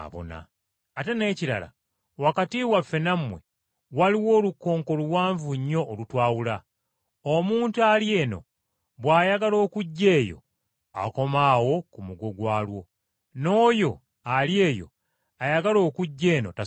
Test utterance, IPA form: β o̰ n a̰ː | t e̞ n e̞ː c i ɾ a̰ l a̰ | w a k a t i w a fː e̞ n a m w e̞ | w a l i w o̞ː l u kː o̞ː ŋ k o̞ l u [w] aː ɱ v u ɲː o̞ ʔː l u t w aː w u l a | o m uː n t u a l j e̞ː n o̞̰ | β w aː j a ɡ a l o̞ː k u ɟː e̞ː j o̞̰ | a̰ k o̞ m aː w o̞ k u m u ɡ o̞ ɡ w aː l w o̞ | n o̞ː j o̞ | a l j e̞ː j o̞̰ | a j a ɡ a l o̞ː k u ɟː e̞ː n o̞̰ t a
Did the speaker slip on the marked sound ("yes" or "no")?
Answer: no